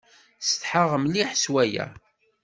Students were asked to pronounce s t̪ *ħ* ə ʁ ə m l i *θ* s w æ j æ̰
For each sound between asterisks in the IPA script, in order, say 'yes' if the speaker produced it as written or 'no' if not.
yes, no

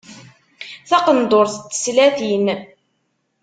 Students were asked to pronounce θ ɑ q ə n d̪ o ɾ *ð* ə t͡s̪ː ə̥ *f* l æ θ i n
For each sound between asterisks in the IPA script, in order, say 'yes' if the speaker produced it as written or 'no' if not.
no, no

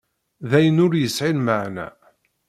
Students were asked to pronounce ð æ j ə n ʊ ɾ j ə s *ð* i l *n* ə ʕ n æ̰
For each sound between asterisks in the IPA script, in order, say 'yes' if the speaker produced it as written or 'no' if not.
no, no

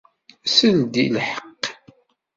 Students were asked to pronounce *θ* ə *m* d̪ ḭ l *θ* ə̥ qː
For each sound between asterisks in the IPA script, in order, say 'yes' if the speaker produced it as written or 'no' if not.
no, no, no

